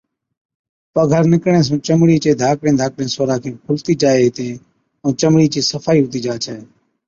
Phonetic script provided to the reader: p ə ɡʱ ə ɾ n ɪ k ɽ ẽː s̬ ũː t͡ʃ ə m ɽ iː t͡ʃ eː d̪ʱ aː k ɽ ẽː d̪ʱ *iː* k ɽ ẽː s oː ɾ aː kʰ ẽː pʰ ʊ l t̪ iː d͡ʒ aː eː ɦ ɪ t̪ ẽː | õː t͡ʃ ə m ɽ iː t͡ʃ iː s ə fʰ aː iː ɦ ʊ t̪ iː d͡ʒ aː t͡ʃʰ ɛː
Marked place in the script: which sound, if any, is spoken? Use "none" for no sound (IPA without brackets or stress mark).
aː